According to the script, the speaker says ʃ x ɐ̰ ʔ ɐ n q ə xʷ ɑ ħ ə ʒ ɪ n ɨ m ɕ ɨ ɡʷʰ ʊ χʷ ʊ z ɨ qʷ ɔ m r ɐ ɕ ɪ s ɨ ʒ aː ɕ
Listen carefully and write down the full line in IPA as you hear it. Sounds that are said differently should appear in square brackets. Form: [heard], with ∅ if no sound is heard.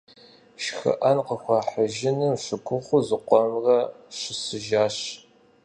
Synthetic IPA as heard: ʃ x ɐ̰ ʔ ɐ n q ə xʷ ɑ ħ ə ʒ ɪ n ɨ m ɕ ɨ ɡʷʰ ʊ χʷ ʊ z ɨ qʷ ɔ m r ɐ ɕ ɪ s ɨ ʒ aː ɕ